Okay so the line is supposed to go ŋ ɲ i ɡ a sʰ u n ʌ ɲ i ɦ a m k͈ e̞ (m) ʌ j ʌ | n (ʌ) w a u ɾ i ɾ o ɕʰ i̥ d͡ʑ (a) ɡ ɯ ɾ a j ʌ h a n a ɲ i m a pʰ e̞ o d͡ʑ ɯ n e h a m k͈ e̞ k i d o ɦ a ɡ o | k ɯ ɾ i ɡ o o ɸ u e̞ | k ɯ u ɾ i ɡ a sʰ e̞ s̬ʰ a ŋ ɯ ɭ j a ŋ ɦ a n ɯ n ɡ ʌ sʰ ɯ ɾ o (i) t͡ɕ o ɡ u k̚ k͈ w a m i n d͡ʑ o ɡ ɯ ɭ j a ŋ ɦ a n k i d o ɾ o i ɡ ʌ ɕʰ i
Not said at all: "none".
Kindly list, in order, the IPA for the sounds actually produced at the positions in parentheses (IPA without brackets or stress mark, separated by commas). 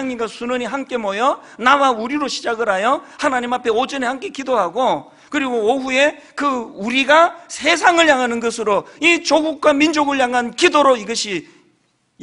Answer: m, a, a, i